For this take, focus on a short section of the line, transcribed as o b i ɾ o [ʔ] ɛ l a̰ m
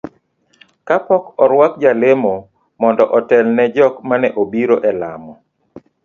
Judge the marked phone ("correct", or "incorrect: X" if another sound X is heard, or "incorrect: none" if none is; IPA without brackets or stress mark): correct